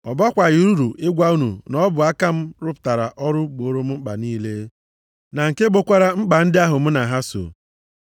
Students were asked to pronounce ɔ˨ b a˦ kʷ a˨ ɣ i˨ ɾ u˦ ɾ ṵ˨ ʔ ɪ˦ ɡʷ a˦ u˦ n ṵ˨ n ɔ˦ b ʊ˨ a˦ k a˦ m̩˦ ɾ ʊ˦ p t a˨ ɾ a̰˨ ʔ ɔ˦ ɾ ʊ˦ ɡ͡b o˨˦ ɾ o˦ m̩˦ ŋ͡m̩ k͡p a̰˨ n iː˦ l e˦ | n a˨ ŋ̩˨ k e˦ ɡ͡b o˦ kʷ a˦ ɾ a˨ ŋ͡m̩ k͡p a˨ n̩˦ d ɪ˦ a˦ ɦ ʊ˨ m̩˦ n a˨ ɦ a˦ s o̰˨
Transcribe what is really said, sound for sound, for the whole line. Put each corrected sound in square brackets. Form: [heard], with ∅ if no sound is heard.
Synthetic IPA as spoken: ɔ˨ b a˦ kʷ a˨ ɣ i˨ ɾ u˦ ɾ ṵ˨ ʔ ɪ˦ ɡʷ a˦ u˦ n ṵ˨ n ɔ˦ b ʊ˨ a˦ k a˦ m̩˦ ɾ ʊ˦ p t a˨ ɾ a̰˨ ʔ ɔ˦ ɾ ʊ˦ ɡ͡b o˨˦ ɾ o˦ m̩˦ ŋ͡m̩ k͡p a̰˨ n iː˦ l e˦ | n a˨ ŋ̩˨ k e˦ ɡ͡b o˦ kʷ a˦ ɾ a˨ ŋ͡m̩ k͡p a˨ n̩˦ d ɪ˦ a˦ ɦ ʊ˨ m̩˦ n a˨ ɦ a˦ s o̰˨